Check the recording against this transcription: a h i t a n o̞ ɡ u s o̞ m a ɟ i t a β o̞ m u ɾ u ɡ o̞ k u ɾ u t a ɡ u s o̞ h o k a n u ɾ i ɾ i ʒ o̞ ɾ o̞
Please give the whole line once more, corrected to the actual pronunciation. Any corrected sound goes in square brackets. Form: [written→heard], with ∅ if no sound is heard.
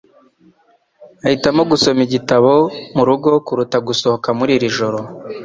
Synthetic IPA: a h i t a [n→m] o̞ ɡ u s o̞ m [a→i] ɟ i t a β o̞ m u ɾ u ɡ o̞ k u ɾ u t a ɡ u s o̞ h o k a [n→m] u ɾ i ɾ i ʒ o̞ ɾ o̞